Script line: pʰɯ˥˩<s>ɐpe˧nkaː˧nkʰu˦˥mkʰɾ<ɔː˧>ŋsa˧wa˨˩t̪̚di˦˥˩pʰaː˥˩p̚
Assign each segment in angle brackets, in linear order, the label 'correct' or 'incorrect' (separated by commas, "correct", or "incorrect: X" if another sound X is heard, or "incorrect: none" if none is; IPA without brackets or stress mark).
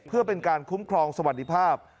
incorrect: none, correct